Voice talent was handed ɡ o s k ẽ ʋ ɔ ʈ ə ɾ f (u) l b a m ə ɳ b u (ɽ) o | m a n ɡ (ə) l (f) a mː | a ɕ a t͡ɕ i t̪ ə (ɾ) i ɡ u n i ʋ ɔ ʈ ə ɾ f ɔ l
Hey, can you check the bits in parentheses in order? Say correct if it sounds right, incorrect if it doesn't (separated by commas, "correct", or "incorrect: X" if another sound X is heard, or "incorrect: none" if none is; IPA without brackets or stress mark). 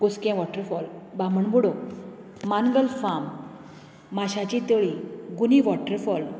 incorrect: ɔ, correct, correct, correct, incorrect: ɭ